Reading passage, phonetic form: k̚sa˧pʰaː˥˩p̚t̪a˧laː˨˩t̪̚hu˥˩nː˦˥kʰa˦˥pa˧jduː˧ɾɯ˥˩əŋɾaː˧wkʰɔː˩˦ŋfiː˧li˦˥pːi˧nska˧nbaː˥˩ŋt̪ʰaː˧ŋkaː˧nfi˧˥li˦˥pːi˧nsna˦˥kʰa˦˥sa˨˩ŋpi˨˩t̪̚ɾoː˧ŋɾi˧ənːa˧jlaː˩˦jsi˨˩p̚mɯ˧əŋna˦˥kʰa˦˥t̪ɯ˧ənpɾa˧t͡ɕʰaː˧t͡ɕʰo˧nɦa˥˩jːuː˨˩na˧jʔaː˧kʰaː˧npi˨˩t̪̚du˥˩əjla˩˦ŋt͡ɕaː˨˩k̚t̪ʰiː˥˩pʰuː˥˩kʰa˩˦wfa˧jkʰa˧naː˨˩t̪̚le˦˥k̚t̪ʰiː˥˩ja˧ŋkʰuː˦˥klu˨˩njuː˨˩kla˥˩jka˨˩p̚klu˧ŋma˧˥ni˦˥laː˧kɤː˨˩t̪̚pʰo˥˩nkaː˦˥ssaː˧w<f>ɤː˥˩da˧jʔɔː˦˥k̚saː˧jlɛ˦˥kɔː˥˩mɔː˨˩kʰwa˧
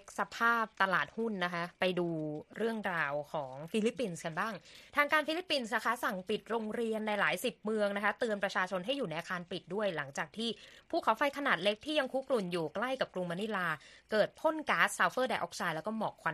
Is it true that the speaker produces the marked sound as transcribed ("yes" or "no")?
yes